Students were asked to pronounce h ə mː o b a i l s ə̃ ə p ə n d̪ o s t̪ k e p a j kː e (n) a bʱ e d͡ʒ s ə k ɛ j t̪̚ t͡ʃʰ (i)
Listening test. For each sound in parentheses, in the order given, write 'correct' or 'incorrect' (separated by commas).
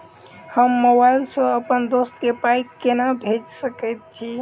correct, correct